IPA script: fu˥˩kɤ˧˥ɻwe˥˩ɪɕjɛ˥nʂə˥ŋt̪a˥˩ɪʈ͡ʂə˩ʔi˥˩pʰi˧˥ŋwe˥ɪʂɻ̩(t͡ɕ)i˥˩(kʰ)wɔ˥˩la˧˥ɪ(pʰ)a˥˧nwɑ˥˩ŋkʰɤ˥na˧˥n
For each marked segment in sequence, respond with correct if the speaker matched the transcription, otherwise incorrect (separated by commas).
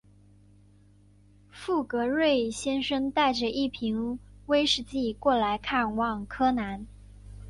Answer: correct, incorrect, incorrect